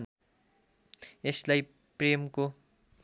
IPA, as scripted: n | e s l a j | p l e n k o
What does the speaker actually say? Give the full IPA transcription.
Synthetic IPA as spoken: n | e s l a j | p r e m k o